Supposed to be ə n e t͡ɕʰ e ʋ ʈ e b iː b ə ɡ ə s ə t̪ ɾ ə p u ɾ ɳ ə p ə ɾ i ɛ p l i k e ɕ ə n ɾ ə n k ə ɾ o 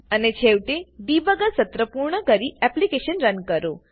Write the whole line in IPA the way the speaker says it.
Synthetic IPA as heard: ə n e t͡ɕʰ e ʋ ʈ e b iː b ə ɡ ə s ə t̪ ɾ ə p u ɾ ɳ ə k ə ɾ i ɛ p l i k e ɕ ə n ɾ ə n k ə ɾ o